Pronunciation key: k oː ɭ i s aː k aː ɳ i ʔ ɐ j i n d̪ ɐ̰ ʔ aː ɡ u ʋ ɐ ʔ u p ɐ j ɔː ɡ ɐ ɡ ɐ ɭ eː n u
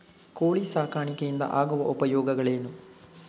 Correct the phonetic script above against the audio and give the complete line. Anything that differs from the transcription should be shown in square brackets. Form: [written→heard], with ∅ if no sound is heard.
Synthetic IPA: k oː ɭ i s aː k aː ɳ i [ʔ→k] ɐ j i n d̪ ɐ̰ ʔ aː ɡ u ʋ ɐ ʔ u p ɐ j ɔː ɡ ɐ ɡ ɐ ɭ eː n u